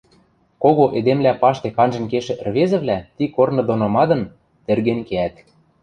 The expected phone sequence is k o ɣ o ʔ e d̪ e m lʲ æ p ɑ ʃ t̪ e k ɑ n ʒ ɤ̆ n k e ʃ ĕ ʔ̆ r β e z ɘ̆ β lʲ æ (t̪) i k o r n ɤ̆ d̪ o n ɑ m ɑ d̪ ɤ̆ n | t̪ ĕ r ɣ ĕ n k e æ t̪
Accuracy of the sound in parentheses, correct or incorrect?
correct